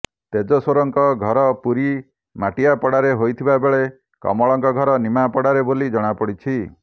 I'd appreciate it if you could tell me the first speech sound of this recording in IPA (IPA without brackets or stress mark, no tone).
t̪